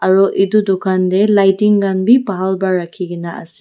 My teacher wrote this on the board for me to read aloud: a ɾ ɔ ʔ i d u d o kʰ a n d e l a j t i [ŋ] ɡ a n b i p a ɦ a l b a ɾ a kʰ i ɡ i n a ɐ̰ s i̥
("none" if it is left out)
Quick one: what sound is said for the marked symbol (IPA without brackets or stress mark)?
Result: ŋ